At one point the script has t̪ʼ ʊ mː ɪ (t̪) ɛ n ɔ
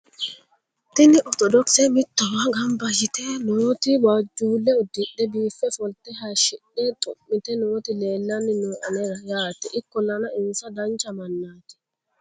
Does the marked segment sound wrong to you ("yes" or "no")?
no